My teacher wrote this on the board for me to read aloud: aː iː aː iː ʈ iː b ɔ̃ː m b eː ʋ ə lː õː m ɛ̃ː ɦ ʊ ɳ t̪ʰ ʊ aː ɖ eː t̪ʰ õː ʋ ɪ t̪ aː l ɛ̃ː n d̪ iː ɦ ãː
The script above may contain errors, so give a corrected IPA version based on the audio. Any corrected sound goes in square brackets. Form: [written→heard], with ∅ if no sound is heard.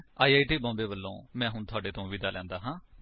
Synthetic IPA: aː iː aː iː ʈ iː b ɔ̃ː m b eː ʋ ə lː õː m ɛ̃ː ɦ ʊ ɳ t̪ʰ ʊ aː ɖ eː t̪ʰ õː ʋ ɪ [t̪→d̪] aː l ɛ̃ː n d̪ [iː→aː] ɦ ãː

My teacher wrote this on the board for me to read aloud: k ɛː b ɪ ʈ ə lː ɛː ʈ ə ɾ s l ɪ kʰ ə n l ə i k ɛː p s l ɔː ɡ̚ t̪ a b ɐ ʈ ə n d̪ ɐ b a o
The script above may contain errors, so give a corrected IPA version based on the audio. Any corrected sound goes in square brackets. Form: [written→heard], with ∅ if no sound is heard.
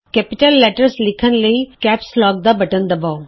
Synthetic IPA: k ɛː [b→p] ɪ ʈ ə lː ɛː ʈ ə ɾ s l ɪ kʰ ə n l ə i k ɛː p s l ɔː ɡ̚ [t̪→d̪] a b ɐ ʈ ə n d̪ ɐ b a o

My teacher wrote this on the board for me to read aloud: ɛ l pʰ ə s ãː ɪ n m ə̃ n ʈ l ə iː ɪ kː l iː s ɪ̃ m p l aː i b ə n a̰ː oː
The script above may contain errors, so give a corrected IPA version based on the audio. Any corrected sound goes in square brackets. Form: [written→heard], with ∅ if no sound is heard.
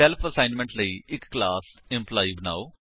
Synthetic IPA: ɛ l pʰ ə s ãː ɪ n m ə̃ [n→ɳ] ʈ l ə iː ɪ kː l [iː→aː] s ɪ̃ m p l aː i b ə n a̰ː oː

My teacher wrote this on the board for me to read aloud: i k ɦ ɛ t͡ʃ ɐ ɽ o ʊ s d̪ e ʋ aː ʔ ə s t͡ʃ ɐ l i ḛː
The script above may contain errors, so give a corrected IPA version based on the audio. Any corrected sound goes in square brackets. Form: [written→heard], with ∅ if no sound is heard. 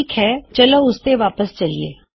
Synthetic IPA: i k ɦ ɛ t͡ʃ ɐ [ɽ→l] o ʊ s [d̪→t̪] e ʋ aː [ʔ→p] ə s t͡ʃ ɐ l i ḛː

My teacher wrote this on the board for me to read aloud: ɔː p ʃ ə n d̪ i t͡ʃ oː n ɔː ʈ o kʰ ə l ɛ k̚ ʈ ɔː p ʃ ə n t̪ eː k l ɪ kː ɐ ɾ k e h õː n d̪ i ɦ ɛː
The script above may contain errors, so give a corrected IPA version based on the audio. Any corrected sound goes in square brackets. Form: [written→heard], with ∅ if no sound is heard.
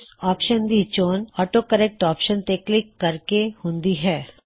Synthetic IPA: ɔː p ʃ ə n d̪ i t͡ʃ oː n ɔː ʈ o [kʰ→k] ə [l→ɾ] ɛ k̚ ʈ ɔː p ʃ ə n t̪ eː k l ɪ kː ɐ ɾ k e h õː n d̪ i ɦ ɛː

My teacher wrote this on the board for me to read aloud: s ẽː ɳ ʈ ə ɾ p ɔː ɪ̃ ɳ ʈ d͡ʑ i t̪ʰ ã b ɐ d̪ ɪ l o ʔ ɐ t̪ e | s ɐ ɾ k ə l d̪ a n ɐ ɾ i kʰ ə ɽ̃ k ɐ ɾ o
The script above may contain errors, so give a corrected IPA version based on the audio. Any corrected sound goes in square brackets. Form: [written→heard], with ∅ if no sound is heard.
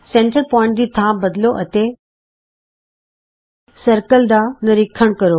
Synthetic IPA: s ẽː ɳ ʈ ə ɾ p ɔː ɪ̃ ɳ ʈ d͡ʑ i t̪ʰ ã b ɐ d̪ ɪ l o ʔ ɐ t̪ e | s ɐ ɾ k ə l d̪ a n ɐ ɾ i kʰ ə ɽ̃ k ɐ ɾ o

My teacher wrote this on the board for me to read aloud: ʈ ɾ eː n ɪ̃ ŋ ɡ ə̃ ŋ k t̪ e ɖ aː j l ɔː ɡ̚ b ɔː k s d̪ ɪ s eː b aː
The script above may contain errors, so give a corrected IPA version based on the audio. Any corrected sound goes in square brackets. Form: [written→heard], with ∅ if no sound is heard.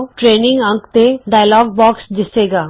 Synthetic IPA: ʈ ɾ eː n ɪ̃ ŋ ɡ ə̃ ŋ k t̪ e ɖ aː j l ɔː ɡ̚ b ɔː k s d̪ ɪ s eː [b→ɡ] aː

